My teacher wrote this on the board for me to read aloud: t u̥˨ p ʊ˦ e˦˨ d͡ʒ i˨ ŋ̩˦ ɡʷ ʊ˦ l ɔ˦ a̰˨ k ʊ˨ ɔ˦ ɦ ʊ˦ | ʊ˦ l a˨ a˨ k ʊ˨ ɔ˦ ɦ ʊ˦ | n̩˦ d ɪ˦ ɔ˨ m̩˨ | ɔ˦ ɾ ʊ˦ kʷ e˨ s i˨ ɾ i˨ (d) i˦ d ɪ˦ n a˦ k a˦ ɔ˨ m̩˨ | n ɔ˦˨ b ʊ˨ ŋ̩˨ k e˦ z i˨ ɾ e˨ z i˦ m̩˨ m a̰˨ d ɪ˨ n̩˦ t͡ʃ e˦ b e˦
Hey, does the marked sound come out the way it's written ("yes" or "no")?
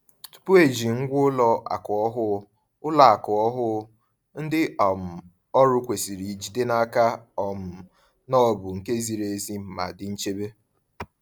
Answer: no